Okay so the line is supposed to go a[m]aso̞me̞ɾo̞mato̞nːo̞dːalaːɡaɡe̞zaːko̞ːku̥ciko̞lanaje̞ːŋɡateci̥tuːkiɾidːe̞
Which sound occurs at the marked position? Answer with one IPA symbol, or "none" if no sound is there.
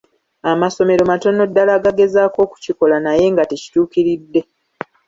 m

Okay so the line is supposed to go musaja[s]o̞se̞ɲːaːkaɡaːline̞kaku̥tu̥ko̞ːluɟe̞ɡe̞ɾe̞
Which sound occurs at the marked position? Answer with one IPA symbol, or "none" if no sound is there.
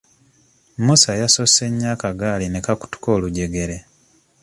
s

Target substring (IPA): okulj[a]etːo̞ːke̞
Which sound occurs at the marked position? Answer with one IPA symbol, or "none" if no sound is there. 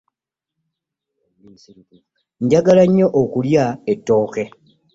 a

